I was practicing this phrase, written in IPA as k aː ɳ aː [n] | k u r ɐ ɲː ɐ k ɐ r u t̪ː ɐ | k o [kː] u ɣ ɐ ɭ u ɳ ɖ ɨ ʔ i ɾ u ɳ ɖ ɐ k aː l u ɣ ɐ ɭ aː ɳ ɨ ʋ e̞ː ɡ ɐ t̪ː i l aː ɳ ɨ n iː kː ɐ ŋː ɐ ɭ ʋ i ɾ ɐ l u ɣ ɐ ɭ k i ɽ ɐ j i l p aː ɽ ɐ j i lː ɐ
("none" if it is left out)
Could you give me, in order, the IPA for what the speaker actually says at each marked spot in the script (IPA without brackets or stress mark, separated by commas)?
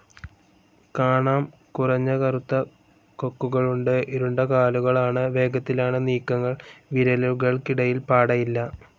m, kː